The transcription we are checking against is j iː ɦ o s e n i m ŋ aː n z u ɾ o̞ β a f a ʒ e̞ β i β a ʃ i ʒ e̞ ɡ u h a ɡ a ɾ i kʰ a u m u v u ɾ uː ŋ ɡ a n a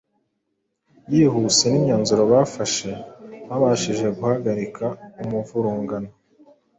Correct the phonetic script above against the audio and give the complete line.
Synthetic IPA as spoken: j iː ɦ u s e n i m ɲ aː n z u ɾ o̞ β a f a ʃ e̞ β a β a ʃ i ʒ e̞ ɡ u h a ɡ a ɾ i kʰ a u m u v u ɾ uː ŋ ɡ a n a